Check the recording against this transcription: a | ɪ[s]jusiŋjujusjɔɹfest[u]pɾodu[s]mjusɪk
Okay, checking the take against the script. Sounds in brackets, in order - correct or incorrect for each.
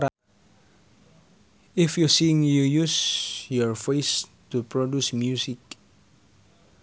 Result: incorrect: f, correct, correct

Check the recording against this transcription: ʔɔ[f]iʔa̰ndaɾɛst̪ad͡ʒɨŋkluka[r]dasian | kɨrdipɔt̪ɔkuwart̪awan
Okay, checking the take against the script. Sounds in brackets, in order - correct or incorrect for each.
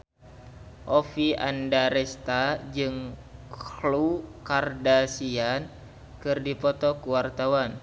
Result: correct, correct

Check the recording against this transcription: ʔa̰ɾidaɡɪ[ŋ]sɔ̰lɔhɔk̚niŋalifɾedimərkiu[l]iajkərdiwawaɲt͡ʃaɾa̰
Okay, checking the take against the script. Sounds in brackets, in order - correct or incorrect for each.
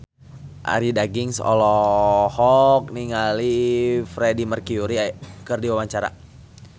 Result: correct, incorrect: ɾ

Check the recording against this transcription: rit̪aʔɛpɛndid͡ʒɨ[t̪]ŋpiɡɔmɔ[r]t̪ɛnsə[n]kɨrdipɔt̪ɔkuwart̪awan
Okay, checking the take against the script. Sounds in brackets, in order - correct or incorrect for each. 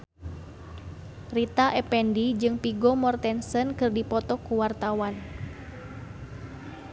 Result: incorrect: none, correct, correct

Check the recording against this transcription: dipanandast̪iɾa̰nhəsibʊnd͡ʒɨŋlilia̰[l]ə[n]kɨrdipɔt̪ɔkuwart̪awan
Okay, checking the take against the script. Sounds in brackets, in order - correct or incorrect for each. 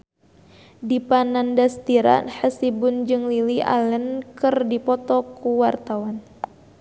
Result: correct, correct

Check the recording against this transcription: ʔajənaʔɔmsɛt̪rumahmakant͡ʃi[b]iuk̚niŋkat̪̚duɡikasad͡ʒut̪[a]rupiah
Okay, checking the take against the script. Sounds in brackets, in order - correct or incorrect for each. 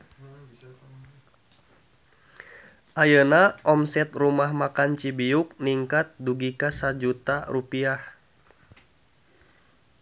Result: correct, correct

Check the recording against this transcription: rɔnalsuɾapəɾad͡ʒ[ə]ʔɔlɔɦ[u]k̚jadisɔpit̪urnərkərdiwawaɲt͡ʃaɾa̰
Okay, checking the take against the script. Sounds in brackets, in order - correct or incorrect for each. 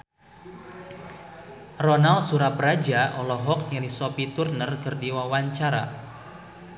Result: incorrect: a, incorrect: ɔ

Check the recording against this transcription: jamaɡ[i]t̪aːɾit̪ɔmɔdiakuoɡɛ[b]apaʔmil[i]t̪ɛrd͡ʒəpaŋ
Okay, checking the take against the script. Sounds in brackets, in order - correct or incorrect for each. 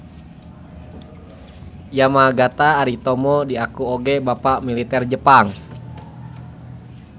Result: incorrect: a, correct, correct

